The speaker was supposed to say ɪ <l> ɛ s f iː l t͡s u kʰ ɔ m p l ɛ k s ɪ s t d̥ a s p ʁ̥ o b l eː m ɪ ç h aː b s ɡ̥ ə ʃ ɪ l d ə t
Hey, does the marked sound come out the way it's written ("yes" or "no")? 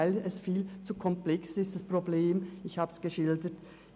yes